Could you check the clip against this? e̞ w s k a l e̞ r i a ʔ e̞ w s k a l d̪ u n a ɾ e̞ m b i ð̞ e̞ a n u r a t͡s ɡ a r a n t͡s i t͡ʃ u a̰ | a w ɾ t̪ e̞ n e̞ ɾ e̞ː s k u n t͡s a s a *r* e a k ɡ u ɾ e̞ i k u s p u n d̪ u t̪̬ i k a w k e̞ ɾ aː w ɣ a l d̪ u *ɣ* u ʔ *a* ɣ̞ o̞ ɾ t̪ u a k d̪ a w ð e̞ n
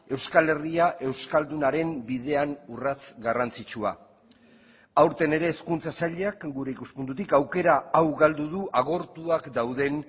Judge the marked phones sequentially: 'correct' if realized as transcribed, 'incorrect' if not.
incorrect, incorrect, correct

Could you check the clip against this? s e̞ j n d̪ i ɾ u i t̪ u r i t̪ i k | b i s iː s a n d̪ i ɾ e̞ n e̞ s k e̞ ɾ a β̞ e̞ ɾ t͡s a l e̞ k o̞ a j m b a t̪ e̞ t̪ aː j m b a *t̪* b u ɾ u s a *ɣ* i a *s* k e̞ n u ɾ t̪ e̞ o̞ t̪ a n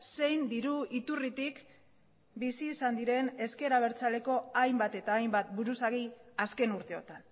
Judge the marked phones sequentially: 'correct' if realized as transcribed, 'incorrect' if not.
correct, correct, correct

